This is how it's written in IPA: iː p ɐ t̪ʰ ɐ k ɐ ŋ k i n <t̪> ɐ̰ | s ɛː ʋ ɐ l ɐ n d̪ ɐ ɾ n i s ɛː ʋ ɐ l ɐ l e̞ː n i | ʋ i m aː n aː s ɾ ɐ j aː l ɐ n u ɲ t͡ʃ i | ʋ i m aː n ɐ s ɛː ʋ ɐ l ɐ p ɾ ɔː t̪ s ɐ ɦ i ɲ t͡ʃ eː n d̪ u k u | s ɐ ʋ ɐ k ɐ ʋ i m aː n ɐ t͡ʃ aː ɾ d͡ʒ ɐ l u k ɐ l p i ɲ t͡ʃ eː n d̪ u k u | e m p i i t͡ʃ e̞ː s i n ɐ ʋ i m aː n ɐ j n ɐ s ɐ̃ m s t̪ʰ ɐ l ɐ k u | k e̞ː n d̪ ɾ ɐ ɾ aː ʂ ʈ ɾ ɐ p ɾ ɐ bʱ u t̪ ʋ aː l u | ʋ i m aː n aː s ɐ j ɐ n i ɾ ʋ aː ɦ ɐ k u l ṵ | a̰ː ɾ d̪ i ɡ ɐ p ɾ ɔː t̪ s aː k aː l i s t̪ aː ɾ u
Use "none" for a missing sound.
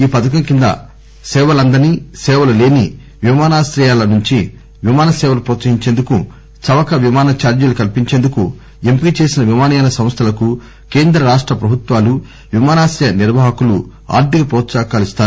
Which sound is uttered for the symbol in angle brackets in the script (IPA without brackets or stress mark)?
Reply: d̪